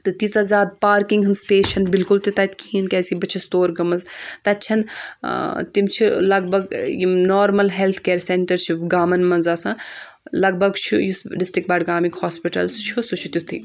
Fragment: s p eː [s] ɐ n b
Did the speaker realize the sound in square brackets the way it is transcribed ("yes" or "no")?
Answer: no